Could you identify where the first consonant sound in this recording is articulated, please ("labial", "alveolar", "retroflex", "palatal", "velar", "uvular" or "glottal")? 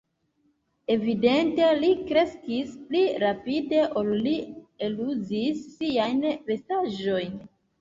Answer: labial